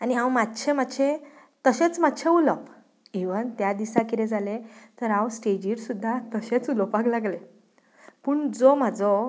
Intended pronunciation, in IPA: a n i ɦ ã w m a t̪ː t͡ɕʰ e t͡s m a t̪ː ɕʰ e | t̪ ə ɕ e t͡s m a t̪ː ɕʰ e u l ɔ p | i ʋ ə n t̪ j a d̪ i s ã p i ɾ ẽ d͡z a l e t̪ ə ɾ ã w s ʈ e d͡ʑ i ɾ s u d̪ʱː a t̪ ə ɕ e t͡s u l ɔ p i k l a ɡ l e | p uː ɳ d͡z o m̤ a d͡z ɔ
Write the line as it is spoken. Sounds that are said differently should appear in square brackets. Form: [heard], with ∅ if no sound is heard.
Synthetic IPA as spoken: a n i ɦ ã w m a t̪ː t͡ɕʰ e [∅] m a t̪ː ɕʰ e | t̪ ə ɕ e t͡s m a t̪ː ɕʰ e u l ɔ p | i ʋ ə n t̪ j a d̪ i s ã [k] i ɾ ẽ d͡z a l e t̪ ə ɾ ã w s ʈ e d͡ʑ i ɾ s u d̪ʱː a t̪ ə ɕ e t͡s u l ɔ p [a] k l a ɡ l e | p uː ɳ d͡z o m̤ a d͡z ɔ